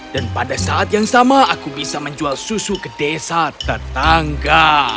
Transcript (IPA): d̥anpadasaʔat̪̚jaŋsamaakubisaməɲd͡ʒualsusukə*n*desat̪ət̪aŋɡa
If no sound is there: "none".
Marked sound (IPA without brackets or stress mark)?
none